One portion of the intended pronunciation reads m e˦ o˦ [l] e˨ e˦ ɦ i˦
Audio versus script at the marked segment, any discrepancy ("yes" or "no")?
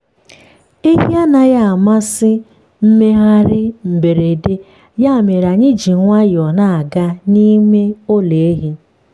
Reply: no